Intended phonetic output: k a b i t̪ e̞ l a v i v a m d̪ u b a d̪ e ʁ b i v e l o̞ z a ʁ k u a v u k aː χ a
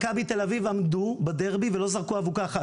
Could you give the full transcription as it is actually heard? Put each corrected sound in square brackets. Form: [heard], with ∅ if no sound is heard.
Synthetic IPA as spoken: k a b i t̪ e̞ l a v i v a m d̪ u b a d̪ e ʁ b i v e l o̞ z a ʁ k u a v u k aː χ a